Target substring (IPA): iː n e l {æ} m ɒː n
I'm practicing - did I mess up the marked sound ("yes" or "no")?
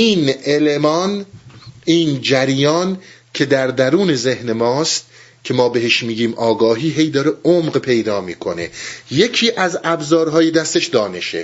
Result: yes